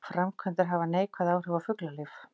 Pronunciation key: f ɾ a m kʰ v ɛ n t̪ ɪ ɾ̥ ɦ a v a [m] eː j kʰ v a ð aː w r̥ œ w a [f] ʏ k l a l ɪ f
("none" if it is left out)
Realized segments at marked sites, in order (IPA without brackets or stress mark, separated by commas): n, f